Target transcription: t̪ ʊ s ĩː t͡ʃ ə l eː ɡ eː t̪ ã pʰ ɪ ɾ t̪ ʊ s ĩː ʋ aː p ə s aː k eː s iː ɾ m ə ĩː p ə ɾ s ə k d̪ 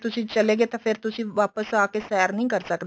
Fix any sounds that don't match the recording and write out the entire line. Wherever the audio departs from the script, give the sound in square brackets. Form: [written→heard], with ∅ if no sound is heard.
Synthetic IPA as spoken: t̪ ʊ s ĩː t͡ʃ ə l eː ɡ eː t̪ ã pʰ ɪ ɾ t̪ ʊ s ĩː ʋ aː p ə s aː k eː s [iː→ɛː] ɾ [m→n] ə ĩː [p→k] ə ɾ s ə k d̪